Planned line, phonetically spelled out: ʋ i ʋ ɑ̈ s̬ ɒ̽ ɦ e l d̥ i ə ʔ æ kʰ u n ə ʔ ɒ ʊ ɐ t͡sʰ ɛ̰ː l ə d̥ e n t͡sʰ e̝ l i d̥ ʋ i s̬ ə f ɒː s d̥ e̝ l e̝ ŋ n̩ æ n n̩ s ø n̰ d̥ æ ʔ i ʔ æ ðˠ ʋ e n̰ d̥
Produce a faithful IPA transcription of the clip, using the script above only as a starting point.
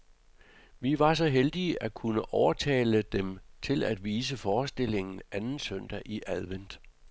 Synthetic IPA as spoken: ʋ i ʋ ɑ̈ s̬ ɒ̽ ɦ e l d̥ i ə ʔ æ kʰ u n ə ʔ ɒ ʊ ɐ t͡sʰ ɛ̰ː l ə d̥ e m t͡sʰ e̝ l æ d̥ ʋ iː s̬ ə f ɒː s d̥ e̝ l e̝ ŋ n̩ æ n n̩ s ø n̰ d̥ æ ʔ i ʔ æ ðˠ ʋ e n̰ d̥